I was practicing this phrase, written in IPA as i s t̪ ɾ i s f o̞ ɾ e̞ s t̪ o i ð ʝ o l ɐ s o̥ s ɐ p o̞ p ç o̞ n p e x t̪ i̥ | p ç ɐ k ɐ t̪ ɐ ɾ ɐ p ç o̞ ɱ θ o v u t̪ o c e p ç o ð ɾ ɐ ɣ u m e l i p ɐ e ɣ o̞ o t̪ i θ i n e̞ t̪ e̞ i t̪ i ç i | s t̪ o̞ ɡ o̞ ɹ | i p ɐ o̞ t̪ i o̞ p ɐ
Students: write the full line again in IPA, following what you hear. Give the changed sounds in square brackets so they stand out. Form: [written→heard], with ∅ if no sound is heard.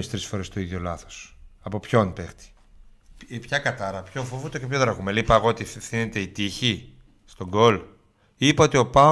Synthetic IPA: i s t̪ ɾ i s f o̞ ɾ e̞ s t̪ o i ð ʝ o l ɐ [s→θ] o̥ s ɐ p o̞ p ç o̞ n p e x t̪ i̥ | p ç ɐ k ɐ t̪ ɐ ɾ ɐ p ç o̞ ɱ [θ→f] o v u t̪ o c e p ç o ð ɾ ɐ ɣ u m e l i p ɐ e ɣ o̞ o t̪ i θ i n e̞ t̪ e̞ i t̪ i ç i | s t̪ o̞ ɡ o̞ [ɹ→l] | i p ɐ o̞ t̪ i o̞ p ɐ